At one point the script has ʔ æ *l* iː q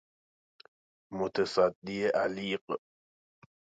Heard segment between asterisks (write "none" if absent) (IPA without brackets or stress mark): l